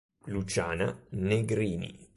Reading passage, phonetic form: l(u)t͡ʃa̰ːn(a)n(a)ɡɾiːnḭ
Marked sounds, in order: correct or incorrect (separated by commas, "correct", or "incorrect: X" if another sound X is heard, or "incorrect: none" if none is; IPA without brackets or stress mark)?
correct, correct, incorrect: e